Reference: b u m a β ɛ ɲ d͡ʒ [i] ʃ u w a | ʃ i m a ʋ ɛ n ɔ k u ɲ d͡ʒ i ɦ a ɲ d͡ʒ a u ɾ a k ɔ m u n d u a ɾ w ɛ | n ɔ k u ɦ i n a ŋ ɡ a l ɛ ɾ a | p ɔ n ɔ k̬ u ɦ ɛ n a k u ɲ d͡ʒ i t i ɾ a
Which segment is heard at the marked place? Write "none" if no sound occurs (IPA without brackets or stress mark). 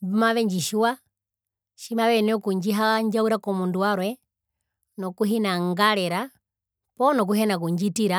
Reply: i